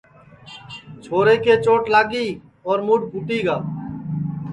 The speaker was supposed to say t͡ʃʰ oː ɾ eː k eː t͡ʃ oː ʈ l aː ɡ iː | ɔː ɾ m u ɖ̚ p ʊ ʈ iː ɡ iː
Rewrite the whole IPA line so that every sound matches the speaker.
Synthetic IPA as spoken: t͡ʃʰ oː ɾ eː k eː t͡ʃ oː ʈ l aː ɡ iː | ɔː ɾ m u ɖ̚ p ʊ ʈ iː ɡ aː